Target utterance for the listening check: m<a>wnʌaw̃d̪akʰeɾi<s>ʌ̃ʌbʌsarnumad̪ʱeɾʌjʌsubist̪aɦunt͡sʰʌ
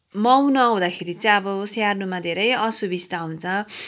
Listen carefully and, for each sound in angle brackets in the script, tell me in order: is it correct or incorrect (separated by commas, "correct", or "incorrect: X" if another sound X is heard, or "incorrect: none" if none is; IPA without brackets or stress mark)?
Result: incorrect: ʌ, incorrect: t͡s